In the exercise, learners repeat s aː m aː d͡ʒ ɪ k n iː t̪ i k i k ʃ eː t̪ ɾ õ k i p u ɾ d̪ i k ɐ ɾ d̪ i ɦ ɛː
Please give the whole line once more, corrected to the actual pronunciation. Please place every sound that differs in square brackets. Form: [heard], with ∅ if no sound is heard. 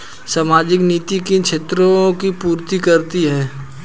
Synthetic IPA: s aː m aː d͡ʒ ɪ k n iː t̪ i k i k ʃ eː t̪ ɾ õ k i p [uː] ɾ [t̪] i k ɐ ɾ [t̪] i ɦ ɛː